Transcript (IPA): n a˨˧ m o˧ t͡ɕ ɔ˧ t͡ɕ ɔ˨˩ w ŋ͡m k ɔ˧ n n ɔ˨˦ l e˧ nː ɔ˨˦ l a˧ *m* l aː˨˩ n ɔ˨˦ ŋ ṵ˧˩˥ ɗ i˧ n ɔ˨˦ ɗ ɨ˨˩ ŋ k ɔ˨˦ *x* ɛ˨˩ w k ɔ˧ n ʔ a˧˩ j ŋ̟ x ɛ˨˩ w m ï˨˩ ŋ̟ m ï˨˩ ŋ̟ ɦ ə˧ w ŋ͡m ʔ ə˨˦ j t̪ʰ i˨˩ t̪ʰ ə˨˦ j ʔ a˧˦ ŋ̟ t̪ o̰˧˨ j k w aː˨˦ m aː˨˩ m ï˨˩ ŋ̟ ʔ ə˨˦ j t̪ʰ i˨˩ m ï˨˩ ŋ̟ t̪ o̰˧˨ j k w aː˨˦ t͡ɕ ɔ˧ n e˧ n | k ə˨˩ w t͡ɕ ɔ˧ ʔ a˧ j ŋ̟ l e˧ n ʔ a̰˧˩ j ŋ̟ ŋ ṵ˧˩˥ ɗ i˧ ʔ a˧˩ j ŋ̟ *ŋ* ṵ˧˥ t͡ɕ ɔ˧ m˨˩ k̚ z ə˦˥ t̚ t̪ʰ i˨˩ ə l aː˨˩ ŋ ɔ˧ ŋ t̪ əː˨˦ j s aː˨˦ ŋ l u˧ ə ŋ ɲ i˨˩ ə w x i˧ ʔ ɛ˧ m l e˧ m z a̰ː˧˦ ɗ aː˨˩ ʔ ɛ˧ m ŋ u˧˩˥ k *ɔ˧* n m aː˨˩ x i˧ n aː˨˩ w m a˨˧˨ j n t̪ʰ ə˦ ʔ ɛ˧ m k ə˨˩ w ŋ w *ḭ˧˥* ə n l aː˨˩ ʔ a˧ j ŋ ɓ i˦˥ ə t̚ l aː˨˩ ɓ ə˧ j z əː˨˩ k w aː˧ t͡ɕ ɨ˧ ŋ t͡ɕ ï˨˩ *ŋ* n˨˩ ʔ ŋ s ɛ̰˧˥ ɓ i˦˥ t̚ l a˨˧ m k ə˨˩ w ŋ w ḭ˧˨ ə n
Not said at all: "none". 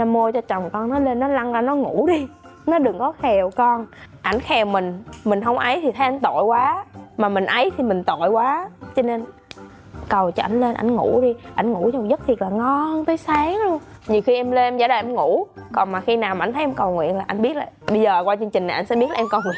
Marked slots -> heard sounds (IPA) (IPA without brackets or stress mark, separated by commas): ŋ, x, ŋ, ɔ˨˩, ḭ˧˨, ŋ